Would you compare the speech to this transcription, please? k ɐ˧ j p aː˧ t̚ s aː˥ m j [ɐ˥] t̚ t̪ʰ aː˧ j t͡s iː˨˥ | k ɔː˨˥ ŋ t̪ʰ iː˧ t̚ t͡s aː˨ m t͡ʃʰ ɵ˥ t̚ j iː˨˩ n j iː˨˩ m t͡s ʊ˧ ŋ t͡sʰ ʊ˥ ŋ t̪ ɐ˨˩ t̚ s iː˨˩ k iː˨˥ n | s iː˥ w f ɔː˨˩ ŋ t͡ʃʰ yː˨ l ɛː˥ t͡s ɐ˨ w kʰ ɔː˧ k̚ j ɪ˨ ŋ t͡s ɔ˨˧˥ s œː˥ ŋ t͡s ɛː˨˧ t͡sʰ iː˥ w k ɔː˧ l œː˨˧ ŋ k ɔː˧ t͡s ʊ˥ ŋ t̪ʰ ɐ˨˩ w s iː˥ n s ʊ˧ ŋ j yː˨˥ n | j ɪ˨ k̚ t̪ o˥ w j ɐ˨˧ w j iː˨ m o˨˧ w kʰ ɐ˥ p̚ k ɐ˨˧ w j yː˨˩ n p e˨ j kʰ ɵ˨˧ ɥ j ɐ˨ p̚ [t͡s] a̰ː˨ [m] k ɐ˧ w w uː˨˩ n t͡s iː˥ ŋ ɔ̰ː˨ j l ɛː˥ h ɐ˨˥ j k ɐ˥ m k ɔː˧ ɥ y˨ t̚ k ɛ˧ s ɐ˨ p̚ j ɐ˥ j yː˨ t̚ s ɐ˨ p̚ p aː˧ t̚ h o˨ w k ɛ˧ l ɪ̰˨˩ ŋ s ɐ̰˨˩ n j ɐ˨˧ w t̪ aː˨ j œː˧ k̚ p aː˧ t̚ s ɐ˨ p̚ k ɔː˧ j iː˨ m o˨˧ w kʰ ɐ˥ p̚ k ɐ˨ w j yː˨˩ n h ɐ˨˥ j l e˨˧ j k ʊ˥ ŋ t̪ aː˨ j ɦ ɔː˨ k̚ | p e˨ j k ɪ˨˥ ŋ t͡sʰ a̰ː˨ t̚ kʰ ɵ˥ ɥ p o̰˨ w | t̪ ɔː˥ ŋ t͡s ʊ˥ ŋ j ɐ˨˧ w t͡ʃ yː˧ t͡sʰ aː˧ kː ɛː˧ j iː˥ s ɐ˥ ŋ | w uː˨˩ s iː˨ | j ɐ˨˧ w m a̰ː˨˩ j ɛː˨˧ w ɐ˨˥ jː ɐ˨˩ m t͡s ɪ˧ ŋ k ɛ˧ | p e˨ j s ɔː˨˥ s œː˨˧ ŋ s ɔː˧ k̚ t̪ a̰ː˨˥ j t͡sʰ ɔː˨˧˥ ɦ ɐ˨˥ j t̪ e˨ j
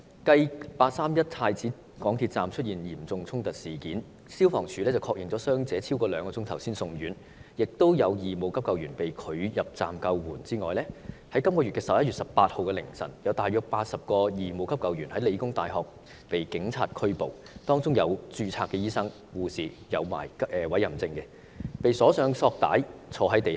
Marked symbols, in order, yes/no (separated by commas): yes, yes, yes